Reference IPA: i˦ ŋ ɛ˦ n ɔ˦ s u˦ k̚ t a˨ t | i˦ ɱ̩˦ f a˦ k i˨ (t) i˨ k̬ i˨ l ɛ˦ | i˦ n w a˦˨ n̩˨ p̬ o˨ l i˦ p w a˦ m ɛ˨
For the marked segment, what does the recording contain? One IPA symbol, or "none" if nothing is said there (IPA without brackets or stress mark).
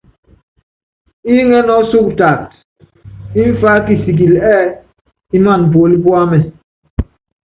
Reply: s